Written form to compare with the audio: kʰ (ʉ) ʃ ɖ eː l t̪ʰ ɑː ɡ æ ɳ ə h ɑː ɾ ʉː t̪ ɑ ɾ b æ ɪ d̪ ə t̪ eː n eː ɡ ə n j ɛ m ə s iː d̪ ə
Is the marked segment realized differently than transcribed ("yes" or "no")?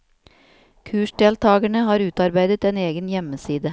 yes